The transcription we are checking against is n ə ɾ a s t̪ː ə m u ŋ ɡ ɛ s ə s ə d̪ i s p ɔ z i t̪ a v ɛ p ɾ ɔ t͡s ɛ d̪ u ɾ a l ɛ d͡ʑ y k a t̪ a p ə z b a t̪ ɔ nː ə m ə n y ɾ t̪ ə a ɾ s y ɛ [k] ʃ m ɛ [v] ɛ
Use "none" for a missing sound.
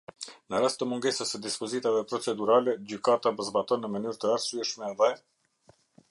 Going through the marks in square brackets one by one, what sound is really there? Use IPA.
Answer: none, ð

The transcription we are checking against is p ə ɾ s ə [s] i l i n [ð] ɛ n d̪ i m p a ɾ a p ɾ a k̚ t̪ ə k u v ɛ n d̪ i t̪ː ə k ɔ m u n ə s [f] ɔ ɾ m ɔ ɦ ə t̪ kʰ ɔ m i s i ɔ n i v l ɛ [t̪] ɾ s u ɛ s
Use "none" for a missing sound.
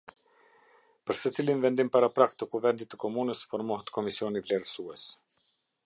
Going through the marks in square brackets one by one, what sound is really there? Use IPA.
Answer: t͡s, v, f, none

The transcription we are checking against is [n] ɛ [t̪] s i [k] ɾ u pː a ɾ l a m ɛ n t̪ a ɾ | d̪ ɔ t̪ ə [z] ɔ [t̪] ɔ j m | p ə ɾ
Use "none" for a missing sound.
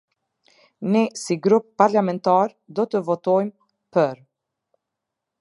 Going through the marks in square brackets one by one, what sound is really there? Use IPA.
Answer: n, none, ɡ, v, t̪

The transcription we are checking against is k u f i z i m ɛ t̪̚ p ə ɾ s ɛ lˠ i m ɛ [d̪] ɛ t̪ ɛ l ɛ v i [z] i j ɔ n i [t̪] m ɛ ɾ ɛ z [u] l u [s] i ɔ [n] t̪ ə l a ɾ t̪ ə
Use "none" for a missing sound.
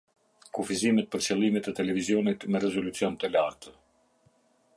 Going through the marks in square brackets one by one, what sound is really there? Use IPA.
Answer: t̪, z, t̪, ɔ, t͡s, n

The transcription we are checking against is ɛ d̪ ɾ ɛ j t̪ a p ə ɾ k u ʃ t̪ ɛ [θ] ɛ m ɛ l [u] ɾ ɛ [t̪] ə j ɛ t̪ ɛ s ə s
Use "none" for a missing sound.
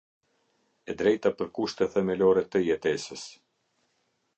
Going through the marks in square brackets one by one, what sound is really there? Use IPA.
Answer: θ, ɔ, t̪

